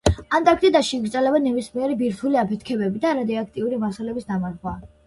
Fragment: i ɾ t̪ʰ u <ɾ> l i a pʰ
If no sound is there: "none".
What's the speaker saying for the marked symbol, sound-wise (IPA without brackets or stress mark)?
none